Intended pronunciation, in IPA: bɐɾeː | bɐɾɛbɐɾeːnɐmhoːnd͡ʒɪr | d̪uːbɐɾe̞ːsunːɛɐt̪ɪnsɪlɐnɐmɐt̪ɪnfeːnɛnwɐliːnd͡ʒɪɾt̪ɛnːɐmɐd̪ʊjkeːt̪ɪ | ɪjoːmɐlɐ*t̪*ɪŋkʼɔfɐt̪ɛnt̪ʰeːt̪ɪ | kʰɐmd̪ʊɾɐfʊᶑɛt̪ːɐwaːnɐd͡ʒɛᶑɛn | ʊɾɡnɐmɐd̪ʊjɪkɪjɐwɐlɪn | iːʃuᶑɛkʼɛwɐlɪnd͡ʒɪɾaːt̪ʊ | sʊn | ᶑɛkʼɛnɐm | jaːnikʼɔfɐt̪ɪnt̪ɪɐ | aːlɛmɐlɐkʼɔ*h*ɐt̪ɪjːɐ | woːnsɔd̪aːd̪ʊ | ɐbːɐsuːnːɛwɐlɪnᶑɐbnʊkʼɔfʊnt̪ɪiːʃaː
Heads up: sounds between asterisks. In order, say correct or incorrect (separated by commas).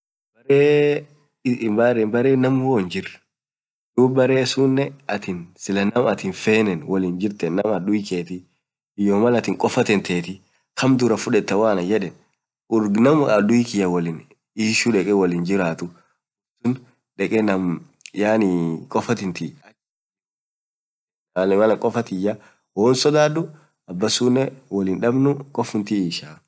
correct, incorrect